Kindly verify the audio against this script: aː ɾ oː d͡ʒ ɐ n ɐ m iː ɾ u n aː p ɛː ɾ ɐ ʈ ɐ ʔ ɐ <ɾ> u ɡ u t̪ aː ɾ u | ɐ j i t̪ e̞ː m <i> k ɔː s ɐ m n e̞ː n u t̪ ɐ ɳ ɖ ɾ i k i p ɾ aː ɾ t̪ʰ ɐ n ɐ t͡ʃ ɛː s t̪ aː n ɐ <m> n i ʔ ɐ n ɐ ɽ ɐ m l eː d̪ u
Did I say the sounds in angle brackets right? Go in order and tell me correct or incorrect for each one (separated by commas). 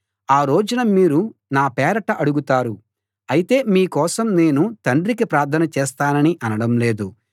incorrect, incorrect, incorrect